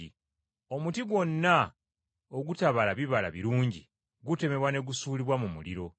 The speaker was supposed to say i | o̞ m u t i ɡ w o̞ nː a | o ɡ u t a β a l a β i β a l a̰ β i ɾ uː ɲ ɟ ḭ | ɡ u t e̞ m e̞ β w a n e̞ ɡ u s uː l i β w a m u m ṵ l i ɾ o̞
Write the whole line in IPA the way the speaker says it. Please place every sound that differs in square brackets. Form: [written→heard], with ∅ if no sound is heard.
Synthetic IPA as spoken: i | o̞ m u t i ɡ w o̞ nː a | o ɡ u t a β a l a β i β a l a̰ β i ɾ uː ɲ ɟ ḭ | ɡ u t e̞ m e̞ β w a n e̞ ɡ u s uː l i β w a m u m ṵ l i ɾ o̞